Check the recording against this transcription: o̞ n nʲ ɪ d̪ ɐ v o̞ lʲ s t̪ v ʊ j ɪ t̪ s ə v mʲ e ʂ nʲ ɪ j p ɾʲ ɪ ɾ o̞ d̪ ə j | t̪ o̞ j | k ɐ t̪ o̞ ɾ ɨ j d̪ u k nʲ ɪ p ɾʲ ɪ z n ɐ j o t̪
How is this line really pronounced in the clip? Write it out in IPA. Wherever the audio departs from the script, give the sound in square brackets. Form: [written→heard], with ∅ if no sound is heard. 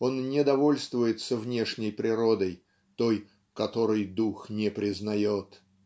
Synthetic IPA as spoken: o̞ n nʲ ɪ d̪ ɐ v o̞ lʲ s t̪ v ʊ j ɪ t̪ s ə v [mʲ→nʲ] e ʂ nʲ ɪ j p ɾʲ ɪ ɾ o̞ d̪ ə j | t̪ o̞ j | k ɐ t̪ o̞ ɾ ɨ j d̪ u [k→x] nʲ ɪ p ɾʲ ɪ z n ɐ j o t̪